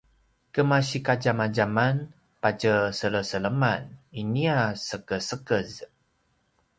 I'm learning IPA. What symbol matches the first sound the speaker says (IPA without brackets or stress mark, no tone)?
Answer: k